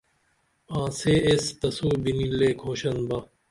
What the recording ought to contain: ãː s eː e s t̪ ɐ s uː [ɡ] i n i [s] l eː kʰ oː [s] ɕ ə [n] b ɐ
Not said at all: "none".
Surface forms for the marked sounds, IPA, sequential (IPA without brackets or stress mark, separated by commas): b, none, none, n